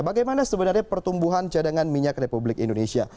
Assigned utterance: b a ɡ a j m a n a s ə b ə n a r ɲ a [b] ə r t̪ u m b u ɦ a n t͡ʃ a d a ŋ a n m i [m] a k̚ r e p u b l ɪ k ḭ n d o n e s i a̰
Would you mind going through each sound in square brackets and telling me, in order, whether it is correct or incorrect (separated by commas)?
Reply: incorrect, incorrect